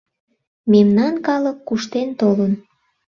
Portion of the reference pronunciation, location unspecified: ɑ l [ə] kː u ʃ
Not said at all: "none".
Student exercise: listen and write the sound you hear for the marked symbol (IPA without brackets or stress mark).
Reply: ə